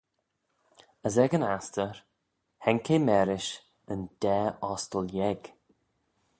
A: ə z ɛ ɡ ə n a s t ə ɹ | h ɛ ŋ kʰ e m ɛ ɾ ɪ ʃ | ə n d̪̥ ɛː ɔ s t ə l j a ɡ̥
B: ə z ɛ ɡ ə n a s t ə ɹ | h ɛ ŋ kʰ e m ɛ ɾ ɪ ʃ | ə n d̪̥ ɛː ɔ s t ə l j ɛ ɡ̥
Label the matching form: B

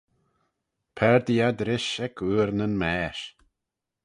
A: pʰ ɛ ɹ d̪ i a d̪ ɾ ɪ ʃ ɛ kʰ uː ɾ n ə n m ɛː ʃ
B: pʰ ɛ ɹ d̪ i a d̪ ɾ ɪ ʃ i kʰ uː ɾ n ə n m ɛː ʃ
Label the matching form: A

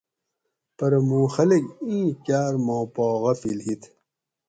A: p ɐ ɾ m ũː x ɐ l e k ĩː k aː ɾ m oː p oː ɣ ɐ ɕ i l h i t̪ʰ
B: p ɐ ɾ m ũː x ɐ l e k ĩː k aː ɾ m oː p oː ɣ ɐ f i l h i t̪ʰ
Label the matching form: B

